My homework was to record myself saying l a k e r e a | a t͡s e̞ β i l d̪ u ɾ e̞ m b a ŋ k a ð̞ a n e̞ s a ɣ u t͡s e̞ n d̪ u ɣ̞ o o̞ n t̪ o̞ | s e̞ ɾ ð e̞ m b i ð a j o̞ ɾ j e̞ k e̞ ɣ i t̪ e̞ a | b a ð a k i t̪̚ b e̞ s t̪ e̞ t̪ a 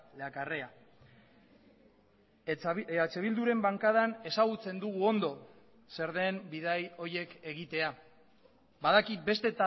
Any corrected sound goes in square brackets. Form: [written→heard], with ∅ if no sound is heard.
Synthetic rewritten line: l a k [e→a] r e a | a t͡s e̞ β i l d̪ u ɾ e̞ m b a ŋ k a ð̞ a n e̞ s a ɣ u t͡s e̞ n d̪ u ɣ̞ [o→u] o̞ n [t̪→d̪] o̞ | s e̞ ɾ ð e̞ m b i ð a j o̞ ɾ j e̞ k e̞ ɣ i t̪ e̞ a | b a ð a k i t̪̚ b e̞ s t̪ e̞ t̪ a